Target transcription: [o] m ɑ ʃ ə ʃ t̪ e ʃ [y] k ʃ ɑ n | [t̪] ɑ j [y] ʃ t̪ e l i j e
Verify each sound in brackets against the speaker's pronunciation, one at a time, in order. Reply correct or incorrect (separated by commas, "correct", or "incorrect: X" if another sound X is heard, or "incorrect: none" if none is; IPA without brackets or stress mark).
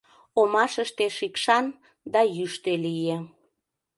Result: correct, incorrect: i, incorrect: d̪, correct